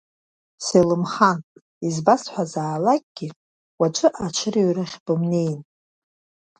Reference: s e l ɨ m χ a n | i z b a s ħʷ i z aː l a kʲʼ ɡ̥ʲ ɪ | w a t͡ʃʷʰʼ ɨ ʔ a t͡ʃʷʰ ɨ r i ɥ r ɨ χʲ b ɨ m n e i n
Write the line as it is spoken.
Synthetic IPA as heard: s e l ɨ m χ a n | i z b a s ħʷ a z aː l a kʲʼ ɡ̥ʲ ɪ | w a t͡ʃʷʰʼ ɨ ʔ a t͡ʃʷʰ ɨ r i ɥ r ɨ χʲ b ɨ m n e j n